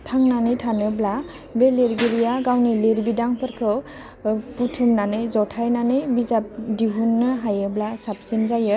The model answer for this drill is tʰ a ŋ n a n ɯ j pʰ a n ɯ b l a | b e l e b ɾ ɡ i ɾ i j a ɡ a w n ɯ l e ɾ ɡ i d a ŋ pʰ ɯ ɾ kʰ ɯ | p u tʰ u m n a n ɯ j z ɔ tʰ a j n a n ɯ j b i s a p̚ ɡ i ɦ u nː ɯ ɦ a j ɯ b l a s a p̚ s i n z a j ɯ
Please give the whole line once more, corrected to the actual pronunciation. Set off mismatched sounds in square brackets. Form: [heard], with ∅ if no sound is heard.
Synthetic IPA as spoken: tʰ a ŋ n a n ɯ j [tʰ] a n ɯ b l a | b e l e [∅] ɾ ɡ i ɾ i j a ɡ a w n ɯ l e ɾ [b] i d a ŋ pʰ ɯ ɾ kʰ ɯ | p u tʰ u m n a n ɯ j z ɔ tʰ a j n a n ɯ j b i [z] a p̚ [d] i ɦ u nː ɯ ɦ a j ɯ b l a s a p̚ s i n z a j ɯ